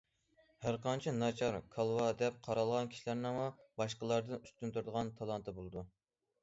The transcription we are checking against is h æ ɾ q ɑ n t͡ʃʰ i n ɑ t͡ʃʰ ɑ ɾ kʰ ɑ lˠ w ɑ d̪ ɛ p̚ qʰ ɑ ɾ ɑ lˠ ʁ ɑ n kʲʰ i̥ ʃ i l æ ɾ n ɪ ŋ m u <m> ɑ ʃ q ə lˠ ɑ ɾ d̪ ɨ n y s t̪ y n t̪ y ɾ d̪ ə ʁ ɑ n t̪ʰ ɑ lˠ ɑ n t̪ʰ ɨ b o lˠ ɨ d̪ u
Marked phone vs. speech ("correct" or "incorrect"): incorrect